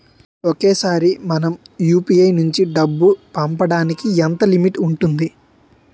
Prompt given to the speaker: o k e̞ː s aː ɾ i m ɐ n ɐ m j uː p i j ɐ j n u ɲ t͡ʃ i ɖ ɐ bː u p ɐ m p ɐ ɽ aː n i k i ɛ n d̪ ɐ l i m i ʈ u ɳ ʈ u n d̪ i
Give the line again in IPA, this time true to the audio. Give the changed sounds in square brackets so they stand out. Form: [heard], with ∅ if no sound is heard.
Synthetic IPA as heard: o k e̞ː s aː ɾ i m ɐ n ɐ m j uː p i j ɐ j n u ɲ t͡ʃ i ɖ ɐ bː u p ɐ m p ɐ ɽ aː n i k i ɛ n [t̪] ɐ l i m i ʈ u ɳ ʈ u n d̪ i